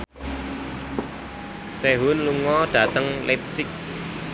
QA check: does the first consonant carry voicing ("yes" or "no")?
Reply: no